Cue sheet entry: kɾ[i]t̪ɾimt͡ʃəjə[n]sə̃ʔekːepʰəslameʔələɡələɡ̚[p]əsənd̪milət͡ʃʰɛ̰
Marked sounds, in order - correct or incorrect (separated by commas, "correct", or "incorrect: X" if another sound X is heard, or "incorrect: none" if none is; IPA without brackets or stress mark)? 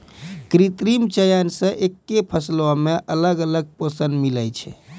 correct, correct, correct